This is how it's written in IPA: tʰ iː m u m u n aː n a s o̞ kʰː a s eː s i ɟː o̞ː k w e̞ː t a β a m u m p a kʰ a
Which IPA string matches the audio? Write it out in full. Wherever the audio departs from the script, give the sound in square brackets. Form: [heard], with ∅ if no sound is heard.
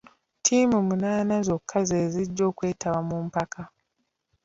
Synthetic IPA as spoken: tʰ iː m u m u n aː n a [z] o̞ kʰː a [z] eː [z] i ɟː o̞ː k w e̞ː t a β a m u m p a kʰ a